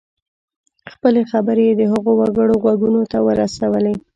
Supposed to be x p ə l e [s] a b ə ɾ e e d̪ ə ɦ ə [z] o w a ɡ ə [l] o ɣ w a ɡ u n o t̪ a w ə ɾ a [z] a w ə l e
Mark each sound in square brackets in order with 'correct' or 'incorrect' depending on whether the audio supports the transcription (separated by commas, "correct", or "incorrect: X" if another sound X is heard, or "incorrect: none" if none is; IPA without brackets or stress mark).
incorrect: x, incorrect: ɣ, incorrect: ɽ, incorrect: s